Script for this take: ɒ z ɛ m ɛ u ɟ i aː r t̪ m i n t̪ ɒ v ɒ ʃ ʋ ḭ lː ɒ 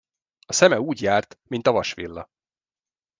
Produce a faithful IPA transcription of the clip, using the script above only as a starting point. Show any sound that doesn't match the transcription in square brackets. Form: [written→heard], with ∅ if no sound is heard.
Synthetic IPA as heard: ɒ [z→s] ɛ m ɛ [u→uː] ɟ [i→j] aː r t̪ m i n t̪ ɒ v ɒ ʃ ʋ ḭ lː ɒ